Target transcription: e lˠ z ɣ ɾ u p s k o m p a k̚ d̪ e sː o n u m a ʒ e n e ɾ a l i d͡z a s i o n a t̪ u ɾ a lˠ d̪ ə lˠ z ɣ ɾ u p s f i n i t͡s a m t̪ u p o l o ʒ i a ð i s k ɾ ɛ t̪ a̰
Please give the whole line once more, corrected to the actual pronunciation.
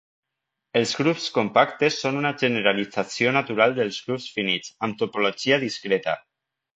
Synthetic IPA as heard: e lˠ z ɣ ɾ u p s k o m p a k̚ t̪ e sː o n u n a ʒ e n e ɾ a l i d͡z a s i o n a t̪ u ɾ a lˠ d̪ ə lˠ z ɣ ɾ u p s f i n i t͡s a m t̪ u p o l o ʒ i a ð i s k ɾ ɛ t̪ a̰